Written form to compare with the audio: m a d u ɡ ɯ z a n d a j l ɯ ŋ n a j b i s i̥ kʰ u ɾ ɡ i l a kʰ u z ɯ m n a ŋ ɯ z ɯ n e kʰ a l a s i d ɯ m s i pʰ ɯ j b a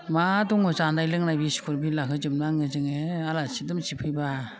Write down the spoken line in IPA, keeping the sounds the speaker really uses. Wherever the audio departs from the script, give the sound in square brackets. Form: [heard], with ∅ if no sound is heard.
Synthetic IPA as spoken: m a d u [ŋ] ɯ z a n d a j l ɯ ŋ n a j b i s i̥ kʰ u ɾ [b] i l a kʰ [ɯ] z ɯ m n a ŋ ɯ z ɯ [ŋ] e [∅] a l a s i d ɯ m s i pʰ ɯ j b a